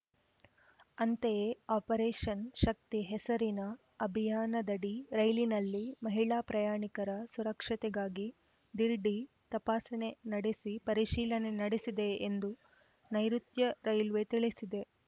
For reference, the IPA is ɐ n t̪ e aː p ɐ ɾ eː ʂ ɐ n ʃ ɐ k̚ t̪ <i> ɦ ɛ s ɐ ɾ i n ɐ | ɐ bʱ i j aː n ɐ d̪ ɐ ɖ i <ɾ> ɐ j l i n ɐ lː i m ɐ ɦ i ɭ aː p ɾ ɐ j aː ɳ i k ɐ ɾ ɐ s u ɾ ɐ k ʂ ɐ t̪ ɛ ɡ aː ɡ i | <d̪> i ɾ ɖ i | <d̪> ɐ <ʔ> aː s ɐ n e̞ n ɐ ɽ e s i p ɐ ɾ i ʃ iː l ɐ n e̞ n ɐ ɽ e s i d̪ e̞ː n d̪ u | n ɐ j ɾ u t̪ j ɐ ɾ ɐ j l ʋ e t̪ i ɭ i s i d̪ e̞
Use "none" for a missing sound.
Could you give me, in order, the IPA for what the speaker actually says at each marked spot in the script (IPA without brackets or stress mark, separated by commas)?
i, ɾ, d̪, t̪, p